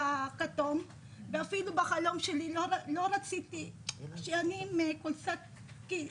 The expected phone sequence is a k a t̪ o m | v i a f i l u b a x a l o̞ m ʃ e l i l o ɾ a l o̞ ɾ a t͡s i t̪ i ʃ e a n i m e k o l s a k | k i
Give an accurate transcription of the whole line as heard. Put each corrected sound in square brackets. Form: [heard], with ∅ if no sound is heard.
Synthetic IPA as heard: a k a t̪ o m | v [e] a f i l u b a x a l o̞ m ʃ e l i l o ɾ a l o̞ ɾ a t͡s i t̪ i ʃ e a n i m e k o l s a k | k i